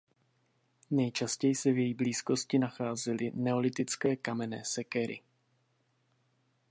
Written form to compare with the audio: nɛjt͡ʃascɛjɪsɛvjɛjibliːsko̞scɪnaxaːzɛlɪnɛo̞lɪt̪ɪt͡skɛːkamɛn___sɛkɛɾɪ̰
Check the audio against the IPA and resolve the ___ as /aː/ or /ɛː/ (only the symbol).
ɛː